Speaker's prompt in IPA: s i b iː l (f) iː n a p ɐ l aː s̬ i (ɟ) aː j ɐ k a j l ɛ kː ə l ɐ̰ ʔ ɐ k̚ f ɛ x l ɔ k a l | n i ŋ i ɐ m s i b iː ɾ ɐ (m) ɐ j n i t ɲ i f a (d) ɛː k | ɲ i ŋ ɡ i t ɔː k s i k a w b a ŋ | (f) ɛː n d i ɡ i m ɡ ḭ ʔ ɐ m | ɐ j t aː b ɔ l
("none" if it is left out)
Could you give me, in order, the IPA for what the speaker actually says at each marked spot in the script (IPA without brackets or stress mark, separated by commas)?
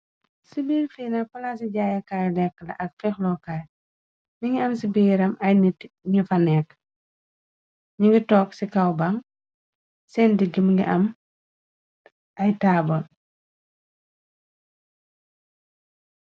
f, ɟ, m, n, s